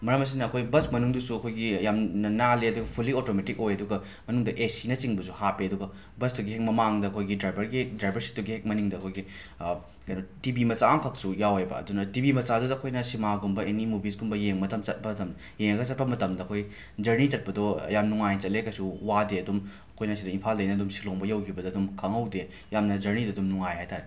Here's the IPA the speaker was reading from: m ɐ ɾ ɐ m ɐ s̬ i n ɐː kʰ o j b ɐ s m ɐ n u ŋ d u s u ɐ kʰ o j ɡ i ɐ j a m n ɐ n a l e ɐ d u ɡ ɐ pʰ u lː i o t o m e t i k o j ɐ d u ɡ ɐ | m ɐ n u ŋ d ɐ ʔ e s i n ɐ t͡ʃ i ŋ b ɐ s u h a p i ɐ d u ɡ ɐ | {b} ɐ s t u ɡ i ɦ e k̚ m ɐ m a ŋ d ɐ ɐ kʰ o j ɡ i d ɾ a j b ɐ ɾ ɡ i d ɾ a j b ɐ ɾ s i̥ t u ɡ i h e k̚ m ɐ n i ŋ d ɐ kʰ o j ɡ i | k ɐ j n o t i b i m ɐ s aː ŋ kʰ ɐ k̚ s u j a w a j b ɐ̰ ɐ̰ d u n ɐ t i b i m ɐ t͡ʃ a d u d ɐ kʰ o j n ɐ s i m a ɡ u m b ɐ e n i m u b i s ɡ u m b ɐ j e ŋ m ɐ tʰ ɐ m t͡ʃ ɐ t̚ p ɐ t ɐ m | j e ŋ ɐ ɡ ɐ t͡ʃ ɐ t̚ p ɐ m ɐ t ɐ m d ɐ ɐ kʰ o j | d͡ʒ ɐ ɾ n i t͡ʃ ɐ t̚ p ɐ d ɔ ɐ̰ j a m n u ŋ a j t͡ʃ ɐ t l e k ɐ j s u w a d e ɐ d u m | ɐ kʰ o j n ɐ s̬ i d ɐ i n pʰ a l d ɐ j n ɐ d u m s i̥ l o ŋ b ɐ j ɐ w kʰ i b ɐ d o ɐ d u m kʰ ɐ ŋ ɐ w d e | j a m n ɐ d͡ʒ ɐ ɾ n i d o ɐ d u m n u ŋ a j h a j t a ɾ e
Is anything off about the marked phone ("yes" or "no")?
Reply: no